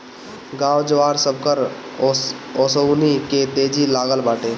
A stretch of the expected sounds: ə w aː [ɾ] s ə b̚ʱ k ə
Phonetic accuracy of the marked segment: correct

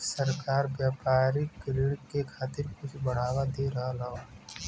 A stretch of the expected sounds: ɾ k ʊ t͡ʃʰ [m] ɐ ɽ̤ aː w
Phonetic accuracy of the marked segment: incorrect: b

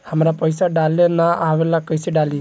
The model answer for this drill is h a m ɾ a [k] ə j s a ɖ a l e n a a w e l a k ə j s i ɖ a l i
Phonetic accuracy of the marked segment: incorrect: p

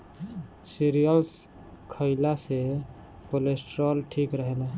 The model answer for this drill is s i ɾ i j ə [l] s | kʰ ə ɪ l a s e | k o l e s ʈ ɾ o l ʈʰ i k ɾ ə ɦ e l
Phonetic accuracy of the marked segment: correct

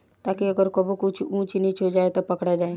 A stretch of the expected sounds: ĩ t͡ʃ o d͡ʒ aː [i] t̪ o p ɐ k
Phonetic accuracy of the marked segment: incorrect: e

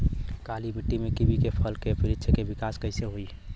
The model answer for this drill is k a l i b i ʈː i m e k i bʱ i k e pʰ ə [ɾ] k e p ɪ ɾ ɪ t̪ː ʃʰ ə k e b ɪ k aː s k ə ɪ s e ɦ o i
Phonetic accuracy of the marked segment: incorrect: l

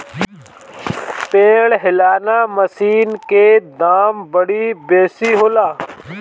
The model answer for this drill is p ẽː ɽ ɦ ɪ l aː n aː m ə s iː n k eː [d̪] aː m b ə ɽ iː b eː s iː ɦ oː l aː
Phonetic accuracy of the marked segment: correct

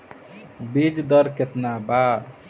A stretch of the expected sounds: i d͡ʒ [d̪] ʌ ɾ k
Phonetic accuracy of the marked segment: correct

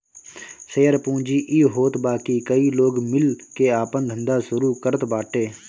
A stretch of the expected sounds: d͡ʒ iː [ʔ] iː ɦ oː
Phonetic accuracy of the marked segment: correct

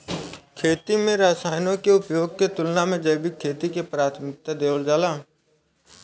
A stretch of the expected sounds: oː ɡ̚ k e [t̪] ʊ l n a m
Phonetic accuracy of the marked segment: correct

